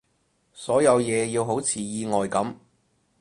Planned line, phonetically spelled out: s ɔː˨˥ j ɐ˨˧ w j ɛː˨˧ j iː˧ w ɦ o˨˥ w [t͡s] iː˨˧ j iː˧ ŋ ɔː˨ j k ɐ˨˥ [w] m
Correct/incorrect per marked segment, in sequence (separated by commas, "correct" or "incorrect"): incorrect, incorrect